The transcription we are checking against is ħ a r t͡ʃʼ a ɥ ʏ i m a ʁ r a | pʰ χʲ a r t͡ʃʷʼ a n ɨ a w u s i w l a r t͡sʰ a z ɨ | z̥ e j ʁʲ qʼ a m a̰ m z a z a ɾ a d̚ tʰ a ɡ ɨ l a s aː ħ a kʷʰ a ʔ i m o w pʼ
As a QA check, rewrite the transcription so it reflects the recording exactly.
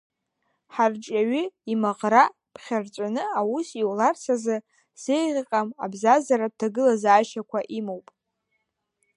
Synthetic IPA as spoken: ħ a r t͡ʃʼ a ɥ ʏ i m a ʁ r a | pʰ χʲ a r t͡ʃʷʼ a n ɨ a w u s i w l a r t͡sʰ a z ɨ | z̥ e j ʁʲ qʼ a m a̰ b z a z a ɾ a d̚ tʰ a ɡ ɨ l a z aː ʃ a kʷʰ a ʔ i m o w pʼ